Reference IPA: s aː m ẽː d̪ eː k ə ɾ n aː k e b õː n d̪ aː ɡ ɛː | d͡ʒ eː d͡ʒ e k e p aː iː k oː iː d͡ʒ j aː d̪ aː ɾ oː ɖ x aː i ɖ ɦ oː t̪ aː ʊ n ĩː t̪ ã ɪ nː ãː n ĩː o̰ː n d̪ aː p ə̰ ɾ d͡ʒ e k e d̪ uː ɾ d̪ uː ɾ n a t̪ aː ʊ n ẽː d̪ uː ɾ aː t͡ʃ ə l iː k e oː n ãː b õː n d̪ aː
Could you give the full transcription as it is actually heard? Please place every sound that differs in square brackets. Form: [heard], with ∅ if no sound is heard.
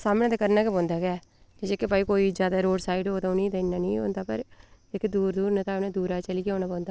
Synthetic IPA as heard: s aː m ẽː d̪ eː k ə ɾ n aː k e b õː n d̪ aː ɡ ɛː | d͡ʒ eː d͡ʒ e k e p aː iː k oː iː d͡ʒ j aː d̪ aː ɾ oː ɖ [s] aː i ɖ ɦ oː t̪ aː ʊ n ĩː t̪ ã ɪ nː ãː n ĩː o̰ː n d̪ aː p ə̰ ɾ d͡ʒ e k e d̪ uː ɾ d̪ uː ɾ n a t̪ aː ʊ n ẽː d̪ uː ɾ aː t͡ʃ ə l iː k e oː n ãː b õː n d̪ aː